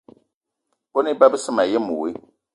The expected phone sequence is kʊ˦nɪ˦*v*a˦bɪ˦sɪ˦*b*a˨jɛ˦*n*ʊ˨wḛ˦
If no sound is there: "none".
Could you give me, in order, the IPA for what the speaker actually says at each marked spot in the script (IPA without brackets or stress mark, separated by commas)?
b, m, m